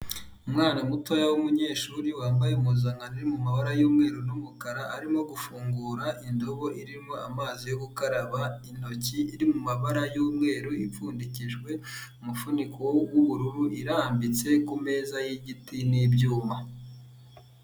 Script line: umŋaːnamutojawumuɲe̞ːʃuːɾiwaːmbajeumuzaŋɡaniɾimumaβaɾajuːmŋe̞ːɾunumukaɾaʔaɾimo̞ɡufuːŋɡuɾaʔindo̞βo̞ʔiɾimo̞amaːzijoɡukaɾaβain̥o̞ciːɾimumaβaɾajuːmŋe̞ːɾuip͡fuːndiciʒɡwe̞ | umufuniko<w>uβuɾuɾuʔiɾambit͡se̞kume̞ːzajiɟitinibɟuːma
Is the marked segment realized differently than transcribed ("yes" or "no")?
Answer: no